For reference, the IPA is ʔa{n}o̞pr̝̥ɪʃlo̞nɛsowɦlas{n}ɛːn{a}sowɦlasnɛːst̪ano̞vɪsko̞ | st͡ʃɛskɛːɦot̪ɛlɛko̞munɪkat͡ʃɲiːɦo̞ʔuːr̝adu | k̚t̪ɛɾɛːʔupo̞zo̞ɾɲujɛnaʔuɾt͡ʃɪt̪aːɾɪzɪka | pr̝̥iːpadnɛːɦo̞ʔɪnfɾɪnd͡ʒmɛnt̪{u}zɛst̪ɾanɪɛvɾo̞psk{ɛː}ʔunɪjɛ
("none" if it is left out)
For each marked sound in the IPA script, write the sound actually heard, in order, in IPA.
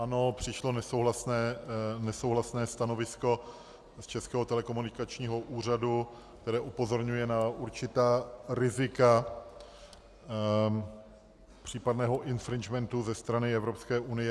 n, n, ɛ, u, ɛː

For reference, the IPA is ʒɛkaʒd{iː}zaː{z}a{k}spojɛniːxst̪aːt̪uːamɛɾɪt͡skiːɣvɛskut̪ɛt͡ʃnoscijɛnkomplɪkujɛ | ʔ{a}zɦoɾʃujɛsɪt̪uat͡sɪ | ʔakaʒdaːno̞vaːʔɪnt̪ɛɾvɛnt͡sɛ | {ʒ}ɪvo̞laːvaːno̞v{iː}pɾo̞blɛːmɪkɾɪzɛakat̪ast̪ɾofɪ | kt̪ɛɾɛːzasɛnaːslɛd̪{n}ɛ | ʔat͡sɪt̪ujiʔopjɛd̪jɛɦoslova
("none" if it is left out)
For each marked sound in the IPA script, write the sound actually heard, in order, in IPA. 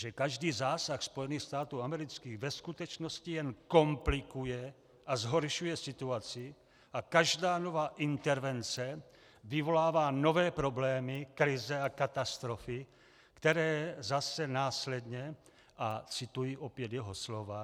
iː, s, x, a, v, ɛː, ɲ

